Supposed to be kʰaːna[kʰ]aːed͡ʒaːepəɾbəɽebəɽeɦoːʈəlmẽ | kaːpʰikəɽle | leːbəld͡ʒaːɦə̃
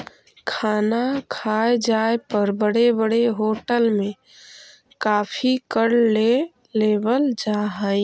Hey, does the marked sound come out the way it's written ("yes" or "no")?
yes